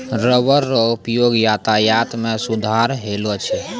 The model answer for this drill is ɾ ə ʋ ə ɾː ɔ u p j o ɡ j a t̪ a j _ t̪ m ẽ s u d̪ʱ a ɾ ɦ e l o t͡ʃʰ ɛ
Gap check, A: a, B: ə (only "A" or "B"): A